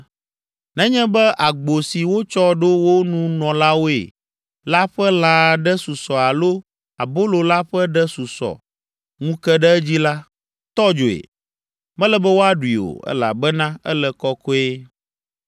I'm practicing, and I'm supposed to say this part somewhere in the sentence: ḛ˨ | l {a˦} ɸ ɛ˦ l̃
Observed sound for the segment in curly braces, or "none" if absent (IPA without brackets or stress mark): a˦